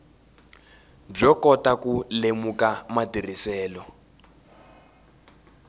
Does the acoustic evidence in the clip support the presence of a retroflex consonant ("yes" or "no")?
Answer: yes